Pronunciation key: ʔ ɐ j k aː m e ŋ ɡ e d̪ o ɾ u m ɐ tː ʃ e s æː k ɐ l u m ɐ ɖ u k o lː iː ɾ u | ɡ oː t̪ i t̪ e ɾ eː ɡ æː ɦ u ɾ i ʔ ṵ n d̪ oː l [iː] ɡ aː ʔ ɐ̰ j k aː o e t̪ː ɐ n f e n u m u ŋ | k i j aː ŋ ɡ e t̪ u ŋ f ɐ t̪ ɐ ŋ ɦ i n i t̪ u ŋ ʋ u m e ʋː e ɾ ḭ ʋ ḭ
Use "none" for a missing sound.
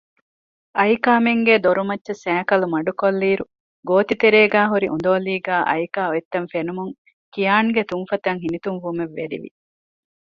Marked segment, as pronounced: iː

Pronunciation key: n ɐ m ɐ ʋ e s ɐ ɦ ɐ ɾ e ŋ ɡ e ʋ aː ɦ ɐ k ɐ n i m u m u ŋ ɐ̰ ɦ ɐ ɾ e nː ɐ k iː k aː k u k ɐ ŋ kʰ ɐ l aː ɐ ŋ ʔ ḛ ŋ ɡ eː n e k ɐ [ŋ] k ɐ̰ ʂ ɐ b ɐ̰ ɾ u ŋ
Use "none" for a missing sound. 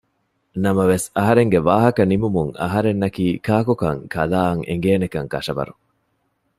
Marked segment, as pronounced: ŋ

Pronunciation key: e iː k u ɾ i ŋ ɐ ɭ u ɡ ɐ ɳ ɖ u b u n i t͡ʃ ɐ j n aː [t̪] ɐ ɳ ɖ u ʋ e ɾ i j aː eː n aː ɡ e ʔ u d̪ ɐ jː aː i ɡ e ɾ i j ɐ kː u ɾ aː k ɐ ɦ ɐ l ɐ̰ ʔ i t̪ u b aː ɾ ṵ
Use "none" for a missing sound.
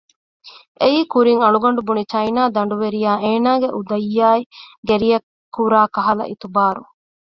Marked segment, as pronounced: d̪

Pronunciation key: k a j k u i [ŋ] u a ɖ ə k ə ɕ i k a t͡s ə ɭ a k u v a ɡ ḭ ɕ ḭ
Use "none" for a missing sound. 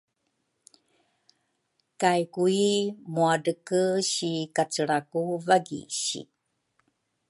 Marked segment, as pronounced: m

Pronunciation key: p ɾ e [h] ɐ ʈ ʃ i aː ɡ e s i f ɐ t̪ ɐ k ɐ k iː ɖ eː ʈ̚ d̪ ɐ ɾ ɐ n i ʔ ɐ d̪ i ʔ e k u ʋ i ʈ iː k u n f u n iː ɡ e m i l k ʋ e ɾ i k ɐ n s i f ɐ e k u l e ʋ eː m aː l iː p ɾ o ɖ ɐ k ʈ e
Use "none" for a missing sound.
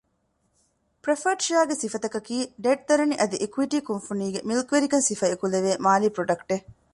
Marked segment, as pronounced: f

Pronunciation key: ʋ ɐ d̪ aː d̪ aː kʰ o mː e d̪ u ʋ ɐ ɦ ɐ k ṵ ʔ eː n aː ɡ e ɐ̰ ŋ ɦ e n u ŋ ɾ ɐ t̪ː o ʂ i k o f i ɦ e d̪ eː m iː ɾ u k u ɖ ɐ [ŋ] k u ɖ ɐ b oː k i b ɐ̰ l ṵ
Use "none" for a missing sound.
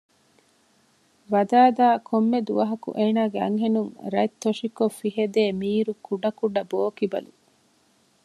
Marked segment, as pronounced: none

